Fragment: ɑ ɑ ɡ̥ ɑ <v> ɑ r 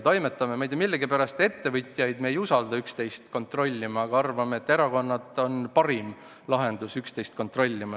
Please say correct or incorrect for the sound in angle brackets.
incorrect